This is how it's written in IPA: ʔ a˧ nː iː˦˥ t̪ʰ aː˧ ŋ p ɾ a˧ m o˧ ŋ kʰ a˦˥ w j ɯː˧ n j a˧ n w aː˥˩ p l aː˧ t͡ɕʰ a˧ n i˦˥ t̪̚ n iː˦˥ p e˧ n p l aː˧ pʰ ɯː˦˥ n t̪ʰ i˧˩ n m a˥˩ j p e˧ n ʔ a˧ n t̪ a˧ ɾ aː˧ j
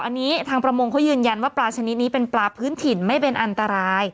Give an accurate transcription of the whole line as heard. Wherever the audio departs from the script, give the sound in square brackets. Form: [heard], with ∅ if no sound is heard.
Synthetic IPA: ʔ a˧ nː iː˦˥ t̪ʰ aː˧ ŋ p ɾ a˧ m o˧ ŋ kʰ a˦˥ w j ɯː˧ n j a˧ n w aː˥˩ p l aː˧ t͡ɕʰ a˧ n i˦˥ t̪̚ n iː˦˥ p e˧ n p l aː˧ pʰ ɯː˦˥ n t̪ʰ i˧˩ n m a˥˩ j p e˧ n ʔ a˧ n t̪ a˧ ɾ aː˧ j